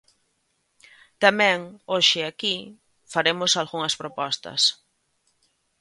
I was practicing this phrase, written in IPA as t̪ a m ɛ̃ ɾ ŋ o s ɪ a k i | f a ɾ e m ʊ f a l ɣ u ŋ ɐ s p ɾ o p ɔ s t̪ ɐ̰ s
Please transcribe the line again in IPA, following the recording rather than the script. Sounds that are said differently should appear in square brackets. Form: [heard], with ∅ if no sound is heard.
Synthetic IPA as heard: t̪ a m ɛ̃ [∅] ŋ o [ʃ] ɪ a k i | f a ɾ e m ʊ [s] a l ɣ u ŋ ɐ s p ɾ o p ɔ s t̪ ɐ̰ s